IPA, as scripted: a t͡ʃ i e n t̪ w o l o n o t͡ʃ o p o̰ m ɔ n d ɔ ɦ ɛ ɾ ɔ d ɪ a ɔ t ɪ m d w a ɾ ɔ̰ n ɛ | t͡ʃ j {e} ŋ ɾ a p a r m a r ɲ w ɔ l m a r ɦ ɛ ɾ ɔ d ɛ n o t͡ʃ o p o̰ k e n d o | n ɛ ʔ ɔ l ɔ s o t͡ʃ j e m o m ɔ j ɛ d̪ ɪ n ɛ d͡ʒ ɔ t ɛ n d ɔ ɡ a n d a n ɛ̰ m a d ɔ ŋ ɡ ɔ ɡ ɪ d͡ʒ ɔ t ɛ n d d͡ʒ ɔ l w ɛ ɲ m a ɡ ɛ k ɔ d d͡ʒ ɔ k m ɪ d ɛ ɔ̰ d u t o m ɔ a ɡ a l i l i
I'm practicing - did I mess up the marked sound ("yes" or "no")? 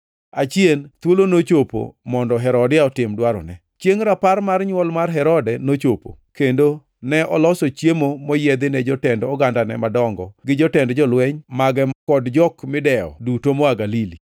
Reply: no